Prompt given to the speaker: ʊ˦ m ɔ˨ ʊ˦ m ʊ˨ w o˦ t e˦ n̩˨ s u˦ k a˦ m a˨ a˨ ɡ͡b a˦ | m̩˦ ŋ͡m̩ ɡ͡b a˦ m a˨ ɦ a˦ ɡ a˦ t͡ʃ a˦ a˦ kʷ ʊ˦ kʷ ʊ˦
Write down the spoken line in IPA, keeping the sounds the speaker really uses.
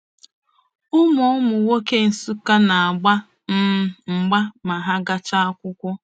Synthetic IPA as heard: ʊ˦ m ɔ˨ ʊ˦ m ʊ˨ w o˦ k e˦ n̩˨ s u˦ k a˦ n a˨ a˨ ɡ͡b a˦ | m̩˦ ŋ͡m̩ ɡ͡b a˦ m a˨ ɦ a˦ ɡ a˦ t͡ʃ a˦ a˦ kʷ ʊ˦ kʷ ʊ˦